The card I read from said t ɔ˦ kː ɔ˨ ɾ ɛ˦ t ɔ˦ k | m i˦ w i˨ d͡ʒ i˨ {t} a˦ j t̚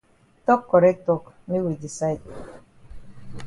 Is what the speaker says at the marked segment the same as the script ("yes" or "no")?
no